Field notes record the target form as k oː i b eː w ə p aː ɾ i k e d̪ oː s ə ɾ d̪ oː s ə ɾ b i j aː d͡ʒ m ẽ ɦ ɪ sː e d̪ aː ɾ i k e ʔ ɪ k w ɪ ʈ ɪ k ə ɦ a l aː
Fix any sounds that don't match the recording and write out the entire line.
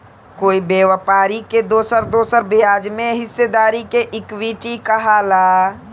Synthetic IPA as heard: k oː i b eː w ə p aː ɾ i k e d̪ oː s ə ɾ d̪ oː s ə ɾ b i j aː d͡ʒ m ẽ ɦ ɪ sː e d̪ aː ɾ i k e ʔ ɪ k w i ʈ i k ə ɦ a l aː